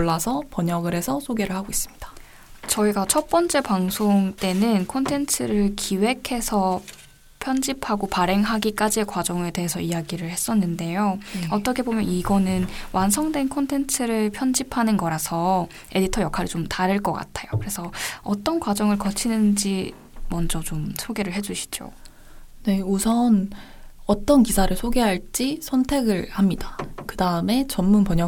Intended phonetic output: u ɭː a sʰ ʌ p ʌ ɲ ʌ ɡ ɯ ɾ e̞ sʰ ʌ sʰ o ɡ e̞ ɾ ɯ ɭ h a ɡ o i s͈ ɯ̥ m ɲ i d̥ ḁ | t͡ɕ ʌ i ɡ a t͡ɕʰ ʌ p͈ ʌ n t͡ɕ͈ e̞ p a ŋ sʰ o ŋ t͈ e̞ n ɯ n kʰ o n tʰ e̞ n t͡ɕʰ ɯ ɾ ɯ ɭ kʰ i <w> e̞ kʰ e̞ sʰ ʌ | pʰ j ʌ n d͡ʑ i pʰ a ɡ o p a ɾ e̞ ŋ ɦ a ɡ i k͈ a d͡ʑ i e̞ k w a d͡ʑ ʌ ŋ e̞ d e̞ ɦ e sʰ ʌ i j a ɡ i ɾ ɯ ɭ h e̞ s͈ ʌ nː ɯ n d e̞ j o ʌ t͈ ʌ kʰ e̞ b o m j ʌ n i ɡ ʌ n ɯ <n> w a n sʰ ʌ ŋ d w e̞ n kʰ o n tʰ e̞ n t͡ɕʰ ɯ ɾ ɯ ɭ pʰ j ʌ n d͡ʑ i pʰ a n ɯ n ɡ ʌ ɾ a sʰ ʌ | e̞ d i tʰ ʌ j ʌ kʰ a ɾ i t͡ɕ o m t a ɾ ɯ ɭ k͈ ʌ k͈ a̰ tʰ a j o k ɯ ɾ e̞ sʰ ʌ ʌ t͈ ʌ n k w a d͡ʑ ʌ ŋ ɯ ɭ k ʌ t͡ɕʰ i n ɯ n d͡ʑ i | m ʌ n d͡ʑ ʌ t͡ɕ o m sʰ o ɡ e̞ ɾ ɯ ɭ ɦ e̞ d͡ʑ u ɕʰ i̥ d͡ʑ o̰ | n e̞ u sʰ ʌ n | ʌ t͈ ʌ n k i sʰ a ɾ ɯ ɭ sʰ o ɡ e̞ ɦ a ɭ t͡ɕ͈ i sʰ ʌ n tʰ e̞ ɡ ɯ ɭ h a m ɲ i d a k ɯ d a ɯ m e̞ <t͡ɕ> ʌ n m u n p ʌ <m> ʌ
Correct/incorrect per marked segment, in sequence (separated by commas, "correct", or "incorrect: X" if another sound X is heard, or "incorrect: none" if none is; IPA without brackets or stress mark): correct, correct, correct, incorrect: ɲ